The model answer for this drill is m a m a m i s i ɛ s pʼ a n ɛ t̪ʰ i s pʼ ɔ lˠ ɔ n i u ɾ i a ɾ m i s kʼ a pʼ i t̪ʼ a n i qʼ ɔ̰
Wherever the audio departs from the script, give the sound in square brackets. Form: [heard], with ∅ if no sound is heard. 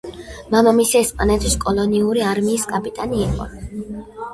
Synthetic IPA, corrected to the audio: m a m a m i s i ɛ s pʼ a n ɛ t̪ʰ i s [kʼ] ɔ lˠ ɔ n i u ɾ i a ɾ m [iː] s kʼ a pʼ i t̪ʼ a n [iː] qʼ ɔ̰